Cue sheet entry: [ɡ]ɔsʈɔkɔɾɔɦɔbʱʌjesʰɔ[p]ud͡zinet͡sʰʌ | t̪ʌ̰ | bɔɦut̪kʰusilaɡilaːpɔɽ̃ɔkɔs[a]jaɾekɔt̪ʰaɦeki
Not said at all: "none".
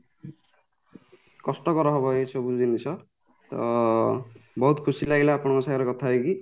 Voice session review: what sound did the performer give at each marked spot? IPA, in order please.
k, b, a

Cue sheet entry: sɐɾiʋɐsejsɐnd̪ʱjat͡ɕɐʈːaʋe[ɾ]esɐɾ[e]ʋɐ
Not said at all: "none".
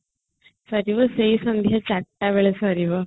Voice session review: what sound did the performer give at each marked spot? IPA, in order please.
ɭ, i

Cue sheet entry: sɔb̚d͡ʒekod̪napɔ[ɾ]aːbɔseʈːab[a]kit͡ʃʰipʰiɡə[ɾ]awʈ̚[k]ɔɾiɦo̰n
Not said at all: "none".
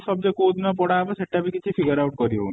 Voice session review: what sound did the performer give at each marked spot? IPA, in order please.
ɽ, i, ɾ, k

